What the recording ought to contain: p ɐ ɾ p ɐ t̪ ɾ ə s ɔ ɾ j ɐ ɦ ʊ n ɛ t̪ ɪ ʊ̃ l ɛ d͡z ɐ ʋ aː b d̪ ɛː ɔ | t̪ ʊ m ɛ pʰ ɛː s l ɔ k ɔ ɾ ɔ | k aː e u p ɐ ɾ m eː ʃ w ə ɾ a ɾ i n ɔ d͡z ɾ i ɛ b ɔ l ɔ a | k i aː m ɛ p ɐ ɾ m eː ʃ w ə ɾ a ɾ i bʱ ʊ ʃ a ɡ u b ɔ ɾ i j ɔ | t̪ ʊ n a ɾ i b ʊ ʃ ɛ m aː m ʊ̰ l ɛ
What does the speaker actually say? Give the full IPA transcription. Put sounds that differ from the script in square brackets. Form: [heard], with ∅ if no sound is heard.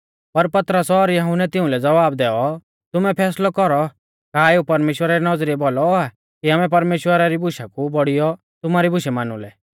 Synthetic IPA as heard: p ɐ ɾ p ɐ t̪ ɾ ə s ɔ ɾ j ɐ ɦ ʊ n ɛ t̪ ɪ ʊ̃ l ɛ d͡z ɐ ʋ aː b d̪ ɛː ɔ | t̪ ʊ m ɛ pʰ ɛː s l ɔ k ɔ ɾ ɔ | k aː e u p ɐ ɾ m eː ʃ w ə ɾ a ɾ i n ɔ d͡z ɾ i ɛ b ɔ l ɔ a | k i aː m ɛ p ɐ ɾ m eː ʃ w ə ɾ a ɾ i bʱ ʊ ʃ a [k] u b ɔ [ɽ] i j ɔ | t̪ ʊ [m] a ɾ i b ʊ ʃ ɛ m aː [n] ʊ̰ l ɛ

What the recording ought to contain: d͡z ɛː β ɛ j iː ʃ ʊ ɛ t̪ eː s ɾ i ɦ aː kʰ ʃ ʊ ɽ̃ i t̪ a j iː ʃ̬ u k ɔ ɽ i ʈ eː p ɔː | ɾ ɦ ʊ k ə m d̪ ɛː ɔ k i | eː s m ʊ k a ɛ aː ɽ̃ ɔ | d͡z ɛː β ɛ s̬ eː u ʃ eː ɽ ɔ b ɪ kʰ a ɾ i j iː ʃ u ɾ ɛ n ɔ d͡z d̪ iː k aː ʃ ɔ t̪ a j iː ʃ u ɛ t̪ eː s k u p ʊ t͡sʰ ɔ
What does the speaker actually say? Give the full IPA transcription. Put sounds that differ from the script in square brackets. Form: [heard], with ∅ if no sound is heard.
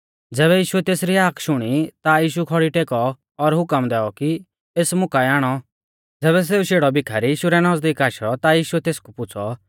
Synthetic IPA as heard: d͡z ɛː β ɛ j iː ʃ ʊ ɛ t̪ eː s ɾ i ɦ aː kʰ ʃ ʊ ɽ̃ i t̪ a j iː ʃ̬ u [kʰ] ɔ ɽ i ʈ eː [k] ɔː | ɾ ɦ ʊ k ə m d̪ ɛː ɔ k i | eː s m ʊ k a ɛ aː ɽ̃ ɔ | d͡z ɛː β ɛ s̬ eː u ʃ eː ɽ ɔ b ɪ kʰ a ɾ i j iː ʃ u ɾ ɛ n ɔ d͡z d̪ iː k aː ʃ ɔ t̪ a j iː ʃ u ɛ t̪ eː s k u p ʊ t͡sʰ ɔ

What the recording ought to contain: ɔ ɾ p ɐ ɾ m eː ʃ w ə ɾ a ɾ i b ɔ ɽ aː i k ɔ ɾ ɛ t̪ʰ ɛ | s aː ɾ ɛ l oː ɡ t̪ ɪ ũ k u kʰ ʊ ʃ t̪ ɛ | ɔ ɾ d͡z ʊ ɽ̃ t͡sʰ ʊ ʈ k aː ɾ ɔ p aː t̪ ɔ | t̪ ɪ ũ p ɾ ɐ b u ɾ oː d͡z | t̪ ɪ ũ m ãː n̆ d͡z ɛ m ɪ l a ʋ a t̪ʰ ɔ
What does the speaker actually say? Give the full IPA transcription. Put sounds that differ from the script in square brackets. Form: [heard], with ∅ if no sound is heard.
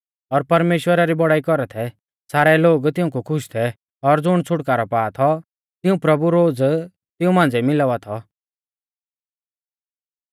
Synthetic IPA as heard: ɔ ɾ p ɐ ɾ m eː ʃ w ə ɾ a ɾ i b ɔ ɽ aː i k ɔ ɾ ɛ t̪ʰ ɛ | s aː ɾ ɛ l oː ɡ t̪ ɪ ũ k u kʰ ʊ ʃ [t̪ʰ] ɛ | ɔ ɾ d͡z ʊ ɽ̃ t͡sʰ ʊ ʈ k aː ɾ ɔ p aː [t̪ʰ] ɔ | t̪ ɪ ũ p ɾ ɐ b u ɾ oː d͡z | t̪ ɪ ũ m ãː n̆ d͡z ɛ m ɪ l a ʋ a t̪ʰ ɔ

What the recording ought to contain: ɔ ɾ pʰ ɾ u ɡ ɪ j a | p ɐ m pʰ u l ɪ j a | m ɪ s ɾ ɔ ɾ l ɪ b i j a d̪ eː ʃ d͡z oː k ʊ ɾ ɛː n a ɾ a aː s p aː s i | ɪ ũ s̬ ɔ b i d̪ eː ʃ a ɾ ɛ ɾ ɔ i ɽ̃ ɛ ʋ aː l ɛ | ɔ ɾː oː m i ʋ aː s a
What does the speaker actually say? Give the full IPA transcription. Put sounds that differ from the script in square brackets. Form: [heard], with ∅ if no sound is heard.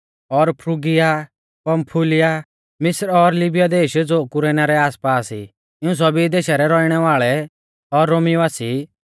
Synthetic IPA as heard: ɔ ɾ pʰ ɾ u ɡ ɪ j a | p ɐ m pʰ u l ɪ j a | m ɪ s ɾ ɔ ɾ l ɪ b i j a d̪ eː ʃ d͡z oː k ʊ ɾ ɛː n a ɾ [ɛ] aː s p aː s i | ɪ ũ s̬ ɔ b i d̪ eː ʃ a ɾ ɛ ɾ ɔ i ɽ̃ ɛ ʋ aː [ɭ] ɛ | ɔ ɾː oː m i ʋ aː s [i]

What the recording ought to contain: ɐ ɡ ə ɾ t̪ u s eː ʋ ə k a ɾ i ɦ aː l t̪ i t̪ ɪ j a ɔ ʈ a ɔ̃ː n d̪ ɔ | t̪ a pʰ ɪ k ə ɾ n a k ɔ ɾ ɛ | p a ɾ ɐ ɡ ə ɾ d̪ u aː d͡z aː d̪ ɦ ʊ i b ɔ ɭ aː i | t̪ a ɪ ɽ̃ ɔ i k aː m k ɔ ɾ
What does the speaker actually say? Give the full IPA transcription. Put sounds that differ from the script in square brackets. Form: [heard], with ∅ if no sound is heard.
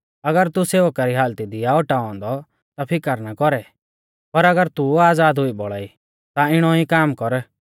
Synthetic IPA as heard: ɐ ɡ ə ɾ t̪ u s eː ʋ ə k a ɾ i ɦ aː l t̪ i [d̪] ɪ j a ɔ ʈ a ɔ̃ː n d̪ ɔ | t̪ a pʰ ɪ k ə ɾ n a k ɔ ɾ ɛ | p [ɐ] ɾ ɐ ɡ ə ɾ [t̪] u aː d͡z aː d̪ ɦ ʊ i b ɔ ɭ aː i | t̪ a ɪ ɽ̃ ɔ i k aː m k ɔ ɾ

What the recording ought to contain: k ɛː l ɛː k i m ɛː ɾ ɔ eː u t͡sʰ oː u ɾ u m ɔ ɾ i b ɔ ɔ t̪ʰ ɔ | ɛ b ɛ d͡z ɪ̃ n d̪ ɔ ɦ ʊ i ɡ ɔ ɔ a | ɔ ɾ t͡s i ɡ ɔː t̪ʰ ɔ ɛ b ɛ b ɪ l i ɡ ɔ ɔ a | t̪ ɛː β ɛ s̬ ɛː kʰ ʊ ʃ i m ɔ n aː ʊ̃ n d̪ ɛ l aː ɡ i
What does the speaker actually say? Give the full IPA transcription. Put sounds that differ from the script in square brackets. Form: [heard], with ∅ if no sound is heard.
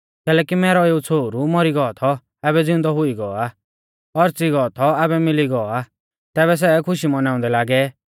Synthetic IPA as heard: k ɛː l ɛː k i m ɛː ɾ ɔ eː u t͡sʰ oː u ɾ u m ɔ ɾ i [ɡ] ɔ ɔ t̪ʰ ɔ | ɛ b ɛ d͡z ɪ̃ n d̪ ɔ ɦ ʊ i ɡ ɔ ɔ a | ɔ ɾ t͡s i ɡ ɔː t̪ʰ ɔ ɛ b ɛ [m] ɪ l i ɡ ɔ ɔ a | t̪ ɛː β ɛ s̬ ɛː kʰ ʊ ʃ i m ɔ n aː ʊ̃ n d̪ ɛ l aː ɡ [ɛ]

